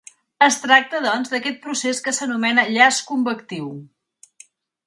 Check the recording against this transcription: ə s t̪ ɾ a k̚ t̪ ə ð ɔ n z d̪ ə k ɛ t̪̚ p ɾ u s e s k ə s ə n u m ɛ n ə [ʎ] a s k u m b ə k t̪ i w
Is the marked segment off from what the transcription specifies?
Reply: no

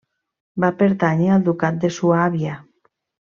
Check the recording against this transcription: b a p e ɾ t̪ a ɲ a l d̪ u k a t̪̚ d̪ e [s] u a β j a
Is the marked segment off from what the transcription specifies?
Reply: no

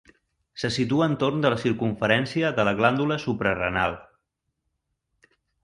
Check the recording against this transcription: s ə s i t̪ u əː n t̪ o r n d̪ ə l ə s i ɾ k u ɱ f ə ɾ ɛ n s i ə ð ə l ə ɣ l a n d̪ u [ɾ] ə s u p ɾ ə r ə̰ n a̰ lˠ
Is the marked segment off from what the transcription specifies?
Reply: yes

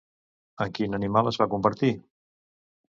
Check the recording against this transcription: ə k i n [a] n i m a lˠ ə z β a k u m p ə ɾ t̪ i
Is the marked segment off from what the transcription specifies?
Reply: yes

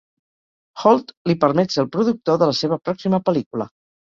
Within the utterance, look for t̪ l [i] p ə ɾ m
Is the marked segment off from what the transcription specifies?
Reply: no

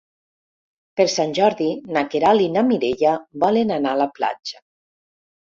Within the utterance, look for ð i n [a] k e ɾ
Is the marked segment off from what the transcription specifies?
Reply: no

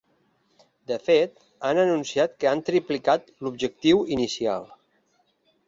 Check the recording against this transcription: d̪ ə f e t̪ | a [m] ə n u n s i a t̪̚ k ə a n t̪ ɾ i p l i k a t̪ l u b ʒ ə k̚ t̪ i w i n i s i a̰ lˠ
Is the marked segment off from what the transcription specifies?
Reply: yes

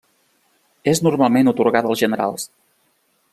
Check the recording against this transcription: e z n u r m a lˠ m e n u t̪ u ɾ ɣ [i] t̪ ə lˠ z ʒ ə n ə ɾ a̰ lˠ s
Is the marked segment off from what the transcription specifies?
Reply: yes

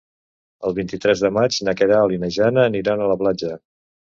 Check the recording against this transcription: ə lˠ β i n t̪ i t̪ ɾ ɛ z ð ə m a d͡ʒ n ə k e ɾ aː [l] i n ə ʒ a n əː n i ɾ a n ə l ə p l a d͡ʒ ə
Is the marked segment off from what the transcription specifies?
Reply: no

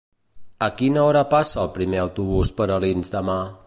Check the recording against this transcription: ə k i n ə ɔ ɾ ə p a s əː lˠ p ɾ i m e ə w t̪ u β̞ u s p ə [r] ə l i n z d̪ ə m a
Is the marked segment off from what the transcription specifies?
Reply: yes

